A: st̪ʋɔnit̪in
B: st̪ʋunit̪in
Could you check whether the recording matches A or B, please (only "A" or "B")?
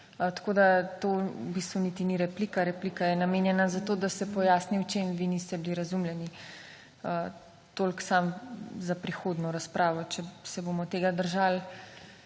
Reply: B